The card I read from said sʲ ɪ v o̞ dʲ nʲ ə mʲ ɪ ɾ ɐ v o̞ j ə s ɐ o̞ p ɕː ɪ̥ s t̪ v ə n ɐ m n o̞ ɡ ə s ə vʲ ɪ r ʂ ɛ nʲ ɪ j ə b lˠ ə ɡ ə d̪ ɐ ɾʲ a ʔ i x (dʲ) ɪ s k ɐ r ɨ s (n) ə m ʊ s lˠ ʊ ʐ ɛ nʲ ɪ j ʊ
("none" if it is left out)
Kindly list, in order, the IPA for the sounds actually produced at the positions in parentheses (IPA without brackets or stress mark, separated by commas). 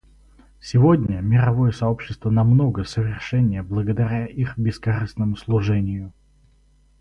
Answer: bʲ, n